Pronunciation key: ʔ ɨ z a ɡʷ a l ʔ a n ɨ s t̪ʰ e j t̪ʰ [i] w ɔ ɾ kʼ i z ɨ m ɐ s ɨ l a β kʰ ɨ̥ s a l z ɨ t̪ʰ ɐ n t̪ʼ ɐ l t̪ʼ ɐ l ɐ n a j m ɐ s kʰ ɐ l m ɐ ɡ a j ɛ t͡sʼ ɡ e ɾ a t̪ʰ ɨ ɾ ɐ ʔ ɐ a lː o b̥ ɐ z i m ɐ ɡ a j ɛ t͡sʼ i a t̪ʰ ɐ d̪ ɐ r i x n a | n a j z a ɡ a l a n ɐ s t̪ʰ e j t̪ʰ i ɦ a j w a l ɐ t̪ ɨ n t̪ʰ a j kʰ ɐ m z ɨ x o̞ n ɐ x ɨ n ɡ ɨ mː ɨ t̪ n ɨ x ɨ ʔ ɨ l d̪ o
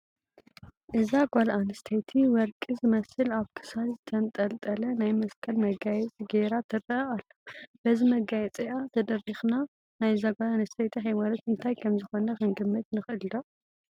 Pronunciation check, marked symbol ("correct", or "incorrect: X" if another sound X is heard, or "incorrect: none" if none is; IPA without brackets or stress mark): correct